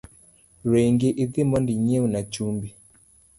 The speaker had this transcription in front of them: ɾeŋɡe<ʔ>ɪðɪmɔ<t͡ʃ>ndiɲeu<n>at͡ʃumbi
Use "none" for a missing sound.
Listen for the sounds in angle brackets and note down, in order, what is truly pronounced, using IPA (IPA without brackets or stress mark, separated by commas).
ʔ, none, n